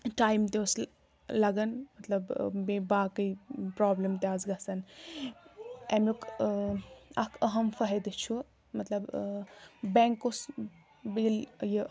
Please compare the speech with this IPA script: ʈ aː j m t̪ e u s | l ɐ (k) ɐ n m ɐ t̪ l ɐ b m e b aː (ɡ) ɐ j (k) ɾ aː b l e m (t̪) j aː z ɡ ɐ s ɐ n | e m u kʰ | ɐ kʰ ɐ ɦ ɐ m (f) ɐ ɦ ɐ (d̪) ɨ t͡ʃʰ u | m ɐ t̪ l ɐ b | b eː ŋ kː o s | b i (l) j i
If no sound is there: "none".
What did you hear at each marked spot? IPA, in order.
ɡ, k, p, t̪, f, d̪, l

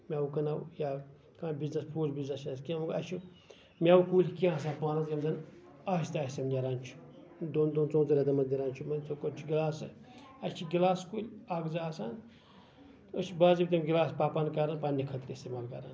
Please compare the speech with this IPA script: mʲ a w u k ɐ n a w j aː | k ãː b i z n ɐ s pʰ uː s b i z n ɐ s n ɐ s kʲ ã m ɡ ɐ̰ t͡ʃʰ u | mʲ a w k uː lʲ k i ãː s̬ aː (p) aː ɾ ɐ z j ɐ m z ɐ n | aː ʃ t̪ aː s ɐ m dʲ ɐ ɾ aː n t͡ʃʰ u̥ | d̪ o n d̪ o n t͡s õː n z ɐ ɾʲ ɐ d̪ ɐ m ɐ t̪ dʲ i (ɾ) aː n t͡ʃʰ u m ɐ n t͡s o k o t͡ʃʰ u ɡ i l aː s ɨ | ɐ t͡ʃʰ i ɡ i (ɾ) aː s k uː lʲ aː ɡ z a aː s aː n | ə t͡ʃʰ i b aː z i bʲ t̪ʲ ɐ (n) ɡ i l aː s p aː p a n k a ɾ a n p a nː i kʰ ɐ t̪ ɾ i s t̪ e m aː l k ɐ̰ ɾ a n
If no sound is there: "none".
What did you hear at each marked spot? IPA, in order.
p, ɾ, l, m

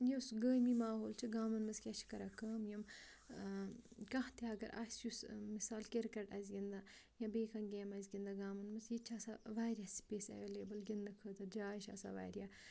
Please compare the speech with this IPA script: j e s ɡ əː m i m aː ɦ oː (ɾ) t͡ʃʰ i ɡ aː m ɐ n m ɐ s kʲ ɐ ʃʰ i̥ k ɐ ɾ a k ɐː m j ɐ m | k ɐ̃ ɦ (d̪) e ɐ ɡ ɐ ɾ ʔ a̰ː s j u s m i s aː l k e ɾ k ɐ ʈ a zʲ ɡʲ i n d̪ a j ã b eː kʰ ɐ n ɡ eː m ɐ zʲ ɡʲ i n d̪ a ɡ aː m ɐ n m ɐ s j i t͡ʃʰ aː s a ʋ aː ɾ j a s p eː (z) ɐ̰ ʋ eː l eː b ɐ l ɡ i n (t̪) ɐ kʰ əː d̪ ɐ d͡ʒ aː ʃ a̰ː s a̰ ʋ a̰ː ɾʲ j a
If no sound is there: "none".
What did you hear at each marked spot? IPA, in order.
l, t̪, s, d̪

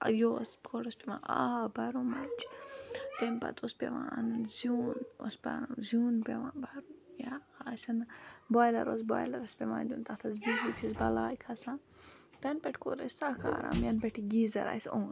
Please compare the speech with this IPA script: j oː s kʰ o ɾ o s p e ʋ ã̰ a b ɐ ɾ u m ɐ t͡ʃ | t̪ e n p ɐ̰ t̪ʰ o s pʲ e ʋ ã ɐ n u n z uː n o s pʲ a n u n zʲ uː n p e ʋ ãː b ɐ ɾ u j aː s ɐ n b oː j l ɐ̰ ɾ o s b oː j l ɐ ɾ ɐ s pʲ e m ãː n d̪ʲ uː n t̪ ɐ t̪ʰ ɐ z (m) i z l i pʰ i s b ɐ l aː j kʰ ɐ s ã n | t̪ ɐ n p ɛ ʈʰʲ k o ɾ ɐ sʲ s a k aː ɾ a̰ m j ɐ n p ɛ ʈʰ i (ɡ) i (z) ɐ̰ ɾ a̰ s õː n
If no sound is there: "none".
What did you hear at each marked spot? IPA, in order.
b, ɡ, z

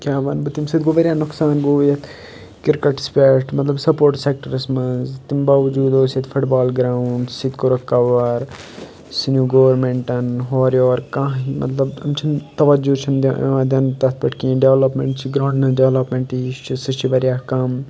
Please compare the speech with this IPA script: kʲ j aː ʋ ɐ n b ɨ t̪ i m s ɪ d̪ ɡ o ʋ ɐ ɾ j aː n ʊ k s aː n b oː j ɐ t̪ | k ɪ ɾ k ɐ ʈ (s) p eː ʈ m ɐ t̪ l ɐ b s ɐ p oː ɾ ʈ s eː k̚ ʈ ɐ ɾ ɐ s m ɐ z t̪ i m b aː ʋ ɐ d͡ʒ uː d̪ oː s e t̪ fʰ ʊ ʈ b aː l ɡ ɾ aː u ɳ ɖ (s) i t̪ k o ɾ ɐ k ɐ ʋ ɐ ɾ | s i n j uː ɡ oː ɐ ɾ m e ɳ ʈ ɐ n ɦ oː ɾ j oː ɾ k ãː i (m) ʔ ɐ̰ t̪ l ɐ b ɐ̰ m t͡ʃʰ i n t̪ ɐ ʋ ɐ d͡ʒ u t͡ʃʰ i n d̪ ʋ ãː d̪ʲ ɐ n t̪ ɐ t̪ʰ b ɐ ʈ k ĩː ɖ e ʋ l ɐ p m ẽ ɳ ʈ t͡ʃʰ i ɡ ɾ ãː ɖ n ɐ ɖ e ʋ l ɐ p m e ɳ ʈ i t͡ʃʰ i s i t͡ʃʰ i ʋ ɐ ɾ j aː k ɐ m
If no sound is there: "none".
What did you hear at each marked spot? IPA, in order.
s, s, m

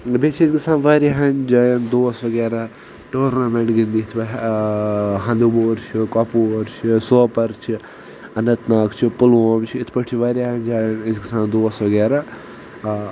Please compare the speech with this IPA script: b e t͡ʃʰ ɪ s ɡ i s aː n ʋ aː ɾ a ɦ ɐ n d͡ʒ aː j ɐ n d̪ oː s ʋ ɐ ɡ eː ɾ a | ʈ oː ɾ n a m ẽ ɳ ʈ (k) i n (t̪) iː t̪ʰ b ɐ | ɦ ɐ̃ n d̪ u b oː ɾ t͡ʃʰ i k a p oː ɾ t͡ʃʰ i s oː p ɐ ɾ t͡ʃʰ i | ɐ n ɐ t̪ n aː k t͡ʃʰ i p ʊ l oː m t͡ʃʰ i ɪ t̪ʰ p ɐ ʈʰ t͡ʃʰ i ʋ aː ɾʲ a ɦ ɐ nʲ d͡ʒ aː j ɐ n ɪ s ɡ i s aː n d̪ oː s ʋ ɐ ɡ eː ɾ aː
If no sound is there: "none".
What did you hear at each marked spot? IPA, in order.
ɡ, d̪

